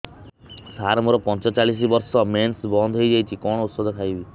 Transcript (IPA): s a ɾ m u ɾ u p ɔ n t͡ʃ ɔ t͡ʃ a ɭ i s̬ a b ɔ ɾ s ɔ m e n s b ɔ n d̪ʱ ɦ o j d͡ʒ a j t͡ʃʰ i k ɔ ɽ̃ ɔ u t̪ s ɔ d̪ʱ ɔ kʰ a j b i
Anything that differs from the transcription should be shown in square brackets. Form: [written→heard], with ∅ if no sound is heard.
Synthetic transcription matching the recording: s a ɾ m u ɾ [u→ɔ] p ɔ n t͡ʃ ɔ t͡ʃ a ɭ i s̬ [a→i] b ɔ ɾ s ɔ m e n s b ɔ n d̪ʱ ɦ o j d͡ʒ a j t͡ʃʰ i k ɔ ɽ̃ ɔ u t̪ s ɔ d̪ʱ ɔ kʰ a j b i